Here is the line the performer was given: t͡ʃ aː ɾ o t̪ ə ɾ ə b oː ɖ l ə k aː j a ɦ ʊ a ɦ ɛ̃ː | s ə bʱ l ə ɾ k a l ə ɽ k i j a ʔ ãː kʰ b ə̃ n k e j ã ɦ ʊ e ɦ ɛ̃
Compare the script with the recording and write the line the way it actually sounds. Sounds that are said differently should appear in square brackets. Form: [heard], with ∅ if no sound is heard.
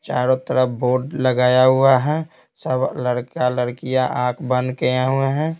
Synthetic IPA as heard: t͡ʃ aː ɾ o t̪ ə ɾ ə b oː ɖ l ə [ɡ] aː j a ɦ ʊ a ɦ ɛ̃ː | s ə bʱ l ə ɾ k a l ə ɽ k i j a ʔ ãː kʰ b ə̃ n k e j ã ɦ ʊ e ɦ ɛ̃